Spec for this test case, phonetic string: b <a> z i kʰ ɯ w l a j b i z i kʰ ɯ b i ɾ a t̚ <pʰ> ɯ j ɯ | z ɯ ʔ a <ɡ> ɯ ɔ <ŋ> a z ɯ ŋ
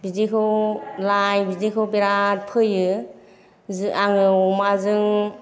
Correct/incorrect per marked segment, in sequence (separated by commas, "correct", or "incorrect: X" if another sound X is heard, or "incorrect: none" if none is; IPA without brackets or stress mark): incorrect: i, correct, incorrect: ŋ, incorrect: m